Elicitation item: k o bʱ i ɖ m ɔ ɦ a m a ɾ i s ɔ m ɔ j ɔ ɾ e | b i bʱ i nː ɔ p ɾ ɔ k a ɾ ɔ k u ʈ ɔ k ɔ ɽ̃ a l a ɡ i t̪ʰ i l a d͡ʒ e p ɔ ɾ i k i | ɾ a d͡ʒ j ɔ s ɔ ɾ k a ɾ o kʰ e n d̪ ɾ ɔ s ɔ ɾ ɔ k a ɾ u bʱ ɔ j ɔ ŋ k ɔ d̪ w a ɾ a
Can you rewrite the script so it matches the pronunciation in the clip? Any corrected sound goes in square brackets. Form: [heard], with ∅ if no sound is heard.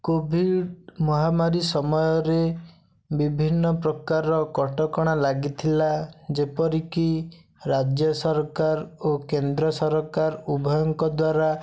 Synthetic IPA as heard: k o bʱ i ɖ m ɔ ɦ a m a ɾ i s ɔ m ɔ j ɔ ɾ e | b i bʱ i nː ɔ p ɾ ɔ k a ɾ ɔ k [ɔ] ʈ ɔ k ɔ ɽ̃ a l a ɡ i t̪ʰ i l a d͡ʒ e p ɔ ɾ i k i | ɾ a d͡ʒ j ɔ s ɔ ɾ k a ɾ o [k] e n d̪ ɾ ɔ s ɔ ɾ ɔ k a ɾ u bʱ ɔ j ɔ ŋ k ɔ d̪ w a ɾ a